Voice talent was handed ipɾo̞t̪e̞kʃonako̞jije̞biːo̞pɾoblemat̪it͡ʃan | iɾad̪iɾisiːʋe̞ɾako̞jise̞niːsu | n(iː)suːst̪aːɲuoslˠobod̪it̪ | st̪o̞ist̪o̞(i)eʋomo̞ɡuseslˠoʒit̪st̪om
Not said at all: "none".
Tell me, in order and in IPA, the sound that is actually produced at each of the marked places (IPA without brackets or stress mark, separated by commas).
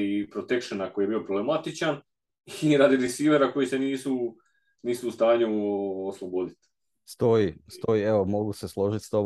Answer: iː, i